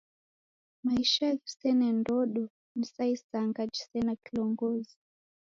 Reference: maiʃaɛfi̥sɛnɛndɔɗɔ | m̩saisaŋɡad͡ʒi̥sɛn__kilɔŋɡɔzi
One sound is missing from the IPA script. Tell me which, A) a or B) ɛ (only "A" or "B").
A